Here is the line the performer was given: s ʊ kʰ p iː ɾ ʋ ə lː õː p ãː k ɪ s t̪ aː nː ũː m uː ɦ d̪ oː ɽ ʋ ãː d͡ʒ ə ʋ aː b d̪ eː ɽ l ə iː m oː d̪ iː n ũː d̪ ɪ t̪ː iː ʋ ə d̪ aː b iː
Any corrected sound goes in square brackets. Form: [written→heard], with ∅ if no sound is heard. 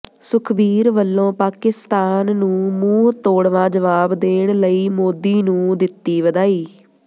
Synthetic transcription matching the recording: s ʊ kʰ [p→b] iː ɾ ʋ ə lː õː p [ãː→aː] k ɪ s t̪ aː nː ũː m uː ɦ [d̪→t̪] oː ɽ ʋ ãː d͡ʒ ə ʋ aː b d̪ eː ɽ l ə iː m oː d̪ iː n ũː d̪ ɪ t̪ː iː ʋ ə d̪ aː [b→∅] iː